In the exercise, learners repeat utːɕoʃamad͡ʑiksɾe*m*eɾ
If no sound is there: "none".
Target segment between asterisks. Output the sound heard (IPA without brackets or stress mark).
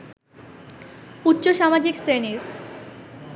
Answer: n